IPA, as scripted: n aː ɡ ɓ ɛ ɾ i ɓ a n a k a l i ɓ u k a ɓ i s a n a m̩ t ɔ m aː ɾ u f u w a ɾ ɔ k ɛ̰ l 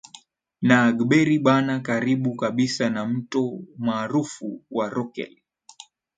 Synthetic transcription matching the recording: n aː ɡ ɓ ɛ ɾ i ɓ a n a k a ɾ i ɓ u k a ɓ i s a n a m̩ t ɔ m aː ɾ u f u w a ɾ ɔ k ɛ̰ l